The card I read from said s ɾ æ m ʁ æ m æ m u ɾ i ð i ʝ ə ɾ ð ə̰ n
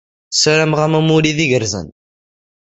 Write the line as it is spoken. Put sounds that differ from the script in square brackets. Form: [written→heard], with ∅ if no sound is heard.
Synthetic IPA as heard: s ɾ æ m ʁ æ m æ m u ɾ i ð i ʝ ə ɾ [ð→z] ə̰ n